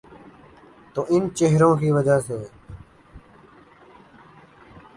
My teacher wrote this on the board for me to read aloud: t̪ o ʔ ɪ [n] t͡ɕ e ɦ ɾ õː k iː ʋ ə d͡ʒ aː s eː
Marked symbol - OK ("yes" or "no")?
yes